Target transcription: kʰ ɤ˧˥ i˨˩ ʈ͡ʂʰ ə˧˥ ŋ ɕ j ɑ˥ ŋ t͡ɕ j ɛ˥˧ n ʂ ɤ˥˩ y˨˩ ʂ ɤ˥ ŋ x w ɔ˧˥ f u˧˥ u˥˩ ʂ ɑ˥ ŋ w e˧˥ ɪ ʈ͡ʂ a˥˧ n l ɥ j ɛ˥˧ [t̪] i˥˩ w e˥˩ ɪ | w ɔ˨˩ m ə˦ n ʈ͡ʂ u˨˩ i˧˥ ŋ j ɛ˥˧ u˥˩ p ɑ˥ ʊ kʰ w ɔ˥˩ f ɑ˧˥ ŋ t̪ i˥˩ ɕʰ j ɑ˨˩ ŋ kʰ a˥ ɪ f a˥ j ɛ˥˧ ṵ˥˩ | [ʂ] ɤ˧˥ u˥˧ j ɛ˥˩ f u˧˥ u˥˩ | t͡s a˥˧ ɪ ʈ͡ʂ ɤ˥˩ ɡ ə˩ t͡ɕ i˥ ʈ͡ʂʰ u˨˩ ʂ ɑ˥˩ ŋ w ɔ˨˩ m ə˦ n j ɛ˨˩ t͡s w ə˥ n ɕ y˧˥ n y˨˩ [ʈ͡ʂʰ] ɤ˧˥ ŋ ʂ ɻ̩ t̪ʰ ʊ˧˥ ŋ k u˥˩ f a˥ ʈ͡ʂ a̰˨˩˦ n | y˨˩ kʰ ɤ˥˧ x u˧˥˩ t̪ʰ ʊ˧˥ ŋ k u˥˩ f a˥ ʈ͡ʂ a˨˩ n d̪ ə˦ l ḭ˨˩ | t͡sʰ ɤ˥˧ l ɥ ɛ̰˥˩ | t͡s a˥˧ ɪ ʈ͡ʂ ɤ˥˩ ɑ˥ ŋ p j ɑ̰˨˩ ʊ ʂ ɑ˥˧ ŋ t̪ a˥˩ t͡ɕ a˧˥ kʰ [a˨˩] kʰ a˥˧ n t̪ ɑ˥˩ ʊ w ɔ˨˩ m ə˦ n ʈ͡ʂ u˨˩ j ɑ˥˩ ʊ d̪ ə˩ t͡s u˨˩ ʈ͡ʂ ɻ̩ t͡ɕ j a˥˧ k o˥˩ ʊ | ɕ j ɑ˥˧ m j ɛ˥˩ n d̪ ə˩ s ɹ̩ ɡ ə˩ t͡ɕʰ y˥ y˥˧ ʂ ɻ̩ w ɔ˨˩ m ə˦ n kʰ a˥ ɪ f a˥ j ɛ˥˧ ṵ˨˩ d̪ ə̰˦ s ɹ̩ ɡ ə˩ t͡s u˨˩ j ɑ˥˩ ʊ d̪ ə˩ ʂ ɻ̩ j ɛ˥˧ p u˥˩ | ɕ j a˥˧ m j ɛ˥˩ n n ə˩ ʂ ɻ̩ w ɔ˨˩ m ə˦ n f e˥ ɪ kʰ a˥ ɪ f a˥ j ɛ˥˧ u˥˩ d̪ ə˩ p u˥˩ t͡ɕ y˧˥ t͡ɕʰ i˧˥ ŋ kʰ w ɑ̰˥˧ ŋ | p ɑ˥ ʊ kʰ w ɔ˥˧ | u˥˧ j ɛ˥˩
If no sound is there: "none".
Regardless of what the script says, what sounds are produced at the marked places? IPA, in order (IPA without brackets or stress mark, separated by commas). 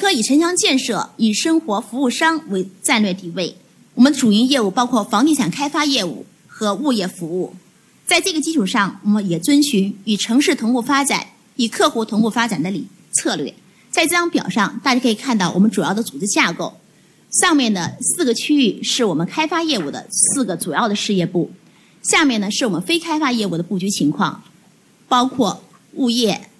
t̪, x, ʈ͡ʂʰ, i˨˩